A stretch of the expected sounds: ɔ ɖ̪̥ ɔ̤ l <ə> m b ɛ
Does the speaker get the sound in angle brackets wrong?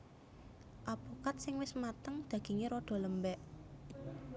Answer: no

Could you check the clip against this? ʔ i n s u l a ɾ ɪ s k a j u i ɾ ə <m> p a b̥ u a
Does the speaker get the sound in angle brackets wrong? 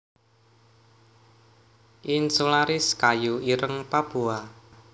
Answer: yes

